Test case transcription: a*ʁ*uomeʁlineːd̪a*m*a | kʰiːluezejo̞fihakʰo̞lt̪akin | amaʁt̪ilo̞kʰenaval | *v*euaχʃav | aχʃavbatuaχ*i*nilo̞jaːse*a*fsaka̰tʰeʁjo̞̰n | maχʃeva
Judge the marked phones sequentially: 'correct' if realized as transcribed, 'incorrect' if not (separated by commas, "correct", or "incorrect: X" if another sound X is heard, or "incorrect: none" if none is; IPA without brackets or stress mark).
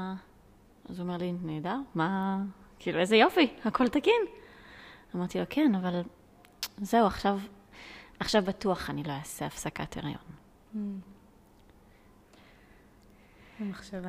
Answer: incorrect: z, correct, incorrect: z, incorrect: a, correct